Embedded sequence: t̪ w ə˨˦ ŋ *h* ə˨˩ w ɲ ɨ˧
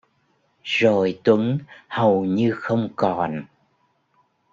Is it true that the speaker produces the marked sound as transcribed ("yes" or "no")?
yes